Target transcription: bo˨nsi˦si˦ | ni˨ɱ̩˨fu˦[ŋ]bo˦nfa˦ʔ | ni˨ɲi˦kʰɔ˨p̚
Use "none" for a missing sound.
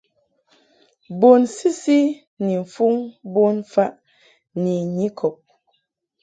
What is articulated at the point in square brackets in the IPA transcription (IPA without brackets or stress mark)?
ŋ